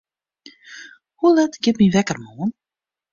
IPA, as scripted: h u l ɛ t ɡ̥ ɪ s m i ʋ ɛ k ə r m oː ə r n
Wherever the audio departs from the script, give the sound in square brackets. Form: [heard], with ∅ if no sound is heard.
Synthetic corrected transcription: h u l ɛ t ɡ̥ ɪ [t] m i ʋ ɛ k ə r m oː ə [∅] n